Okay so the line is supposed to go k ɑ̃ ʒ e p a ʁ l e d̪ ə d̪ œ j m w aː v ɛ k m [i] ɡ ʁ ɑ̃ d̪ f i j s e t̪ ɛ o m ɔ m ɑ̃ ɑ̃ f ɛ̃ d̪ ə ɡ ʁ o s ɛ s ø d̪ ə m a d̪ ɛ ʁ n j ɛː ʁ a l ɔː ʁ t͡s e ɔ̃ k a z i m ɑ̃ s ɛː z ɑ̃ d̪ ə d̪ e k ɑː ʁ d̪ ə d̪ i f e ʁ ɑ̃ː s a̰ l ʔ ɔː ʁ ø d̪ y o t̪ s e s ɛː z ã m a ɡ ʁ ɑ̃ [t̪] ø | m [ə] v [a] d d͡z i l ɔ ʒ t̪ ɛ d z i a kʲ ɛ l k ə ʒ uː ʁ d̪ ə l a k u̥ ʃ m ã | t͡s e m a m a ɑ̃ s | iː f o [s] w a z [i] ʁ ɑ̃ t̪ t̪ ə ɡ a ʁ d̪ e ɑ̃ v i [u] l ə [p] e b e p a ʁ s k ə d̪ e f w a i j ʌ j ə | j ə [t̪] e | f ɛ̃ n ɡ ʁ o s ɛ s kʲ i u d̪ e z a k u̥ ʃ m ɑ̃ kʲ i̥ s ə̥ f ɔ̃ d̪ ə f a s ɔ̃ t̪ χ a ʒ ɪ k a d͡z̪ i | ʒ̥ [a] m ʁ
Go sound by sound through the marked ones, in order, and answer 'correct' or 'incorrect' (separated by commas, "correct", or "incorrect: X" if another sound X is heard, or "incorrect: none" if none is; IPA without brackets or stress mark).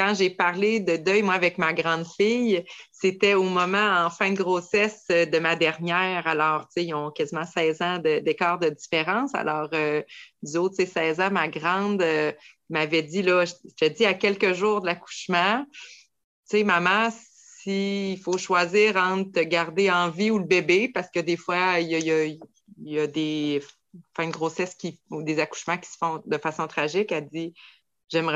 incorrect: a, incorrect: d̪, incorrect: a, incorrect: ɛ, incorrect: ʃ, incorrect: iː, correct, incorrect: b, incorrect: d̪, incorrect: ɛ